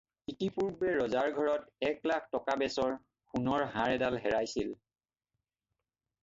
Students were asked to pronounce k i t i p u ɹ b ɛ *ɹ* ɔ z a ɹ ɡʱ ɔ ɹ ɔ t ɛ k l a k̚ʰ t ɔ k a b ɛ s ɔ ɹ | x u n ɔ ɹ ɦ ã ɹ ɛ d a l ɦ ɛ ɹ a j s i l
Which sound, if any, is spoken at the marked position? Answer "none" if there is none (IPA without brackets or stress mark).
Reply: ɹ